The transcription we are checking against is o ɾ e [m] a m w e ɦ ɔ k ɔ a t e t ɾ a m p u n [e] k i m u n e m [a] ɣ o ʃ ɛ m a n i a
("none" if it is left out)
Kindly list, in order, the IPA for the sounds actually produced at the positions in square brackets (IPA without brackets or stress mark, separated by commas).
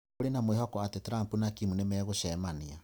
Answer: n, a, ɛ